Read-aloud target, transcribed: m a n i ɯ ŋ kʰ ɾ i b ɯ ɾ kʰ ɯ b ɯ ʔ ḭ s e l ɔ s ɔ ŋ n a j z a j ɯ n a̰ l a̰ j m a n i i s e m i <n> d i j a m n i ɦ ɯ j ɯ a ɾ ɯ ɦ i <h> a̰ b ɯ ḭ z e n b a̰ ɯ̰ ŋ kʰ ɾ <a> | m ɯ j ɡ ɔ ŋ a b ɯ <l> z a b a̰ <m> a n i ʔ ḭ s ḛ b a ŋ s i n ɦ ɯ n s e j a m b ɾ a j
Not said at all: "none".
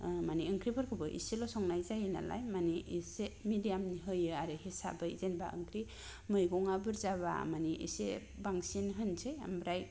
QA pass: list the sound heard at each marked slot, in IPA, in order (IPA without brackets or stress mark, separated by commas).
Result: none, s, i, ɾ, m